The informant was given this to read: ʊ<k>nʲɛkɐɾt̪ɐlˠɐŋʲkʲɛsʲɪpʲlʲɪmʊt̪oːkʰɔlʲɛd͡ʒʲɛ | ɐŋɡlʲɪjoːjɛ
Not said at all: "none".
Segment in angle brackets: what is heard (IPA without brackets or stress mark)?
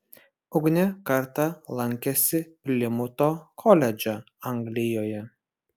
ɡ